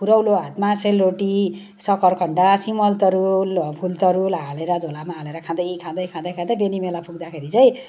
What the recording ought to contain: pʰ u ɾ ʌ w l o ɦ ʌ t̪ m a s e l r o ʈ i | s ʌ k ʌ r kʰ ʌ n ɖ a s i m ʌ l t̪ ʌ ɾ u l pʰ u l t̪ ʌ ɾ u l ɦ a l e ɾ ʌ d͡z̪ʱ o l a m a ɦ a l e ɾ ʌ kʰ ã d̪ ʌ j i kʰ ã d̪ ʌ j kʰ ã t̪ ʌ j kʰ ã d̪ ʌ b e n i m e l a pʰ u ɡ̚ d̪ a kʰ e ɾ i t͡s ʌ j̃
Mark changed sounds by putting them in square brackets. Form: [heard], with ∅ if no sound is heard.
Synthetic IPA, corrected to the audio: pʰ u ɾ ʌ w l o ɦ [a] t̪ m a s e l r o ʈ i | s ʌ k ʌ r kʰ ʌ [ɳ] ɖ a s i m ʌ l t̪ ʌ ɾ u l pʰ u l t̪ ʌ ɾ u l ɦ a l e ɾ ʌ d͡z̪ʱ o l a m a ɦ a l e ɾ ʌ kʰ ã d̪ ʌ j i kʰ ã d̪ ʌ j kʰ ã [d̪] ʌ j kʰ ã d̪ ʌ b e n i m e l a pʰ u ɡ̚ d̪ a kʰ e ɾ i t͡s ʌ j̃